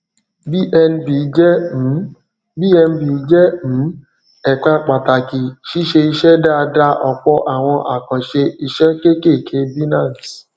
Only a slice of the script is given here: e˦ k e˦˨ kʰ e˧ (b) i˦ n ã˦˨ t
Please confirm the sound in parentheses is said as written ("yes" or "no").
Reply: yes